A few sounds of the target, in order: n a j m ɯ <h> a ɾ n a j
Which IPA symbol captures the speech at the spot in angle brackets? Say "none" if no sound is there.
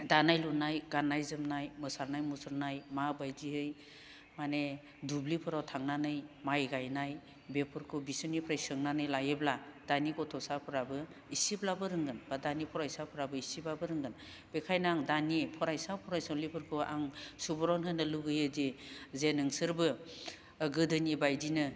s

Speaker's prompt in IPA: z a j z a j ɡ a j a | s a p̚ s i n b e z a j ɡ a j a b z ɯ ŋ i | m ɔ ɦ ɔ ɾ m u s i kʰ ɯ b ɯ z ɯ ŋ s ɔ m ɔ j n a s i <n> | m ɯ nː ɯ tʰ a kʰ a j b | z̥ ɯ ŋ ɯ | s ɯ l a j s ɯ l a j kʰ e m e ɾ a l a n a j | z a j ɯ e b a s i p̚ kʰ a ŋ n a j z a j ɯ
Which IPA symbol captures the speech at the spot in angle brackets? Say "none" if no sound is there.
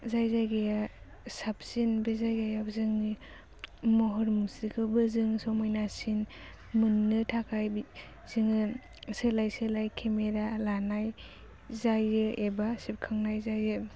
n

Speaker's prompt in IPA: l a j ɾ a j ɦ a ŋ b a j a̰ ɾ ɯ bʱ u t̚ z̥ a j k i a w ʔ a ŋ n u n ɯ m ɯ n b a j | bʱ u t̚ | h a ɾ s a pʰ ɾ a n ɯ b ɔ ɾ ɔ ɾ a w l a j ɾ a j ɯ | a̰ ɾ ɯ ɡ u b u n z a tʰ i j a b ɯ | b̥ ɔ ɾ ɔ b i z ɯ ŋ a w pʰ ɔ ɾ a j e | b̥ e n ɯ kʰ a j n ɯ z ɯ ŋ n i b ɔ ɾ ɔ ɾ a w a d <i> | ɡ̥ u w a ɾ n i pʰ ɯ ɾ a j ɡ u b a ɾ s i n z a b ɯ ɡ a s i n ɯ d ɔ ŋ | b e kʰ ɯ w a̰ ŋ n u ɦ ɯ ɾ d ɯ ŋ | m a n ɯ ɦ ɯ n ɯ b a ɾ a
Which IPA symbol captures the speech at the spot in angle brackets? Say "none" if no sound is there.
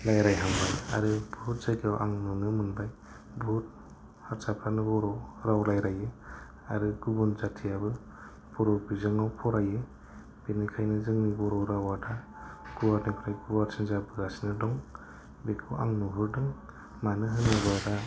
a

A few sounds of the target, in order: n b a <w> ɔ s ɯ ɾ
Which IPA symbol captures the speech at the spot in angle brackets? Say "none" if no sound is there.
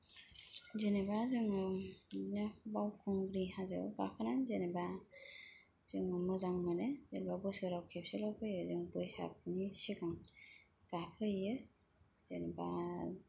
b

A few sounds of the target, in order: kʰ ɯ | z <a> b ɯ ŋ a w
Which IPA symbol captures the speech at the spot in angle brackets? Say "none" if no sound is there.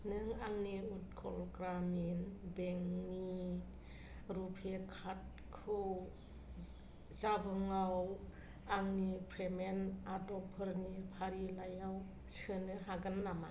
a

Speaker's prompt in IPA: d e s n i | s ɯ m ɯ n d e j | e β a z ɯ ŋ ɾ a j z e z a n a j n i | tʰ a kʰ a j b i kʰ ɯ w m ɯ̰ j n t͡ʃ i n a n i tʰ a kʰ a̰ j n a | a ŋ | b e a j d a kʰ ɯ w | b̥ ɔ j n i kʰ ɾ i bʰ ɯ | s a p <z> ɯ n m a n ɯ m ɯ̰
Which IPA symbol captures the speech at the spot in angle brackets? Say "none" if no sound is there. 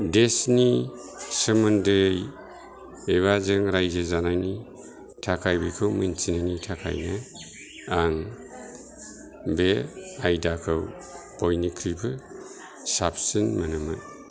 s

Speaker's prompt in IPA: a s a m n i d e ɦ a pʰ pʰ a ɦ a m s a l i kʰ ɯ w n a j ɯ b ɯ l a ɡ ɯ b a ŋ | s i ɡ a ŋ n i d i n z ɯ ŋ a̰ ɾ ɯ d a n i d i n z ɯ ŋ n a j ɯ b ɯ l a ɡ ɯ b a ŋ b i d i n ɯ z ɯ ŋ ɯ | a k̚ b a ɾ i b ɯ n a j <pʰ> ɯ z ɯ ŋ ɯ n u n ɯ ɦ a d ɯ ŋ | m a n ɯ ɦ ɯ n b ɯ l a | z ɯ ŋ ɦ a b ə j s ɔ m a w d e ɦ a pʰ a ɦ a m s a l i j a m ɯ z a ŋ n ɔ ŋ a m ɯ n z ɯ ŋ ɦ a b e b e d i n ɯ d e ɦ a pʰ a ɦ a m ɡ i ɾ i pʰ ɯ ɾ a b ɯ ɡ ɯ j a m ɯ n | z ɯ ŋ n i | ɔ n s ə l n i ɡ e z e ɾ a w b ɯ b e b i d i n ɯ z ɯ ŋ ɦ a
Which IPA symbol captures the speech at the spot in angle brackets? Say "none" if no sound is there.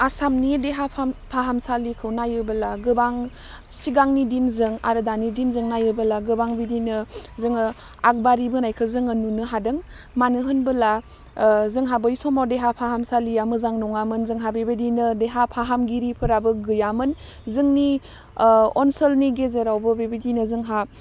kʰ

